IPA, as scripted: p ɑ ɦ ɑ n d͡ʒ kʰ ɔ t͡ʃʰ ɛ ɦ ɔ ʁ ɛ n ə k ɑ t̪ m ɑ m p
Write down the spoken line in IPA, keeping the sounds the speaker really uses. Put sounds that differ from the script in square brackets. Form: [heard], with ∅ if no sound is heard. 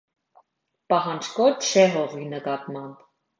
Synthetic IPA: p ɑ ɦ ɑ n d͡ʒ [k] ɔ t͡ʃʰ ɛ ɦ ɔ ʁ [i] n ə k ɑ t̪ m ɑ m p

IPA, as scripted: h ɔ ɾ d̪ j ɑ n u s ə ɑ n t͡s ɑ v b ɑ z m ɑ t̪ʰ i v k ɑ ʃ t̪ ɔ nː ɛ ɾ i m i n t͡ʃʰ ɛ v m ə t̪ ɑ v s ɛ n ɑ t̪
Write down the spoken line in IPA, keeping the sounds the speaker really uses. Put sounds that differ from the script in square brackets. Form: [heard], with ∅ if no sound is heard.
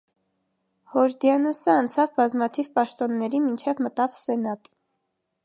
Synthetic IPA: h ɔ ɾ d̪ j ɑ n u s ə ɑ n [t͡sʰ] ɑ v b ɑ z m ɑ t̪ʰ i v [p] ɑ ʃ t̪ ɔ nː ɛ ɾ i m i n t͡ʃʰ ɛ v m ə t̪ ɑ v s ɛ n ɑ t̪

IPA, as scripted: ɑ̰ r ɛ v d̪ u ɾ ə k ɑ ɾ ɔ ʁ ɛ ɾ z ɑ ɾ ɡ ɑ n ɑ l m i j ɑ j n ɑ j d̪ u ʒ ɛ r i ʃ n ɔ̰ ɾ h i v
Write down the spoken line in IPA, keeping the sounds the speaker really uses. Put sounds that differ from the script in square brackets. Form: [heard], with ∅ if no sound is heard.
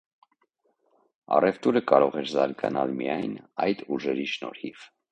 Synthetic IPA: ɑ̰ r ɛ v [t̪] u ɾ ə k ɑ ɾ ɔ ʁ ɛ ɾ z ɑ ɾ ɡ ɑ n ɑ l m i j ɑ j n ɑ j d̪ u ʒ ɛ [ɾ] i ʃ n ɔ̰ ɾ h i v

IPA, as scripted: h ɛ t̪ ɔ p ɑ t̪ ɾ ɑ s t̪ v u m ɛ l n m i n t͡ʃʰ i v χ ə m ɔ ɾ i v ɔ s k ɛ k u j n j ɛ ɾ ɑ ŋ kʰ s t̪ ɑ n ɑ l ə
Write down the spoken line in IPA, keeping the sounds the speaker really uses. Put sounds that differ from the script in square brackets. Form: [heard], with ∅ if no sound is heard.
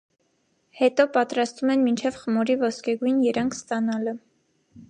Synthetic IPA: h ɛ t̪ ɔ p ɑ t̪ ɾ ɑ s t̪ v u m ɛ [∅] n m i n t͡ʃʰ [ɛ] v χ ə m ɔ ɾ i v ɔ s k ɛ [ɡ] u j n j ɛ ɾ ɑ ŋ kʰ s t̪ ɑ n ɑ l ə

